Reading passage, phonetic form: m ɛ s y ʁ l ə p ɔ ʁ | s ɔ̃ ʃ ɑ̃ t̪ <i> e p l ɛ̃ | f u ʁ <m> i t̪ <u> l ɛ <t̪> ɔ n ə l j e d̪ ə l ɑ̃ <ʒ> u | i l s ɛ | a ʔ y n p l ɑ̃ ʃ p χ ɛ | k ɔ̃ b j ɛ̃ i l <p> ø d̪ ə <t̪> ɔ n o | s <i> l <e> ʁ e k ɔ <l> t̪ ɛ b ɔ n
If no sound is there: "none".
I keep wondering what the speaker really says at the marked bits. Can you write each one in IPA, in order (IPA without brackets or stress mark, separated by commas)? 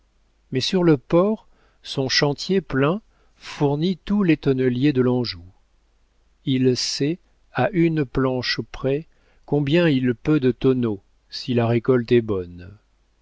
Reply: j, n, u, t̪, ʒ, p, t̪, i, a, l